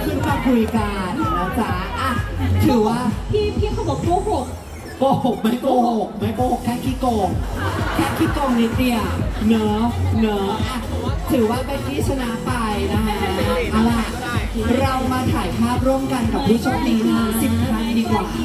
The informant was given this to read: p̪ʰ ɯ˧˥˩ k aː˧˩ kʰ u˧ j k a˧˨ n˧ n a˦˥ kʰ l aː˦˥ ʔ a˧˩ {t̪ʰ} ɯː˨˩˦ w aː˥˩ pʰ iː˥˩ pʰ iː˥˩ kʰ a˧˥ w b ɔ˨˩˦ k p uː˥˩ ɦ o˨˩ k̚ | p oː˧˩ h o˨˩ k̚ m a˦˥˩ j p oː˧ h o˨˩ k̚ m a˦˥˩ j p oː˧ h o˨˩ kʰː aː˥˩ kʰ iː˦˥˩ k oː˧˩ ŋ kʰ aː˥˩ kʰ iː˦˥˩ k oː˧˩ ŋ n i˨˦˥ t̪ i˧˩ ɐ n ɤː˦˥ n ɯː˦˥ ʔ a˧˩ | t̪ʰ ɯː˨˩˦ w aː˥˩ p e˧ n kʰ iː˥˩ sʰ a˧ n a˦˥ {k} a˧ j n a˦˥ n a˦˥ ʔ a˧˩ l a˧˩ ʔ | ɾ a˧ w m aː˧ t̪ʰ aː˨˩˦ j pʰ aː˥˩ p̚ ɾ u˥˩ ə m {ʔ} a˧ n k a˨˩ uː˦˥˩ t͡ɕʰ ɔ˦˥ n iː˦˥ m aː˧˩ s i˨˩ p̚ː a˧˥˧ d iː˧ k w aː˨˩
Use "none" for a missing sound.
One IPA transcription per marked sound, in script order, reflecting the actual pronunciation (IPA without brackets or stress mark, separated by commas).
t̪ʰ, p, k